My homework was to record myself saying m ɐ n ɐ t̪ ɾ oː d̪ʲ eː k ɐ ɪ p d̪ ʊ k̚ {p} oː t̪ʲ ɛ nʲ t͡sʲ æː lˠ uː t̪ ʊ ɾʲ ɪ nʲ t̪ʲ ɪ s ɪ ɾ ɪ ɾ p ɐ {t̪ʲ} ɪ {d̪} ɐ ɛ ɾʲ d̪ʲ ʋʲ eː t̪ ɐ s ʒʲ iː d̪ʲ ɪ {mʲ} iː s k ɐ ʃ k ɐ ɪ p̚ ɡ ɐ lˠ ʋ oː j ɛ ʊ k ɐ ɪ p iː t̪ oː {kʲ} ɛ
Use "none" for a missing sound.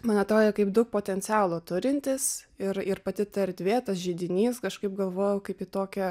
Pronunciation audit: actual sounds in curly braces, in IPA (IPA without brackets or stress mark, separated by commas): p, t̪ʲ, t̪, nʲ, kʲ